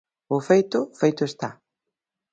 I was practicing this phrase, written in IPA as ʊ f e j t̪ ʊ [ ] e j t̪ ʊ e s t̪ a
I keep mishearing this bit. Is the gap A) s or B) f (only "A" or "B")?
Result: B